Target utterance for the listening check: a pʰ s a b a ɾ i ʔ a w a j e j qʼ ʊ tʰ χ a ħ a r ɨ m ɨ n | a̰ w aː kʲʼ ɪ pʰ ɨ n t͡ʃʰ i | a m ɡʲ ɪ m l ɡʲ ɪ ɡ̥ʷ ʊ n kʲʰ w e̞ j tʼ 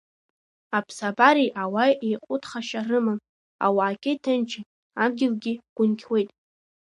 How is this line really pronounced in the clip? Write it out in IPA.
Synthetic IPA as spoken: a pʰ s a b a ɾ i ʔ a w a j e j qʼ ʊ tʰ χ a ʃ a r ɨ m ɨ n | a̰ w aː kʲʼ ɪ tʰ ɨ n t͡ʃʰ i | a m ɡʲ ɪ l ɡʲ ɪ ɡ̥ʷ ʊ n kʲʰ w e̞ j tʼ